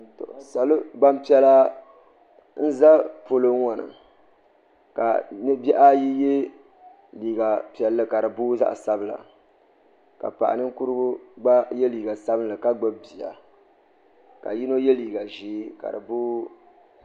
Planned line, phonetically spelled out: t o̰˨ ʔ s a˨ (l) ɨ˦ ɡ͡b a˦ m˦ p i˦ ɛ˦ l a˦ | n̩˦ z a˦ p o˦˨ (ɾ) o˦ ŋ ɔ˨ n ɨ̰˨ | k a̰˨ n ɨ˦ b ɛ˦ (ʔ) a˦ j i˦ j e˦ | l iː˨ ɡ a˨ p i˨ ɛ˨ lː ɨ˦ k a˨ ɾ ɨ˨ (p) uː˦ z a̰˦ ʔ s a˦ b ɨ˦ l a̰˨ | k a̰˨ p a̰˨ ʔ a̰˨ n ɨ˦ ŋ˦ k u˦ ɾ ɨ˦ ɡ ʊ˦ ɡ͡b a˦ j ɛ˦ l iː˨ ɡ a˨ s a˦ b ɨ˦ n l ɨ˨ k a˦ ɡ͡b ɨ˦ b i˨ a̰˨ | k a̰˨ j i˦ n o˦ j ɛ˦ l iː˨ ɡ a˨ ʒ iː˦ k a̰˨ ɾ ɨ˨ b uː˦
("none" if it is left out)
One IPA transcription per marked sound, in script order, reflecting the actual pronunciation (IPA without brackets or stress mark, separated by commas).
l, l, ʔ, b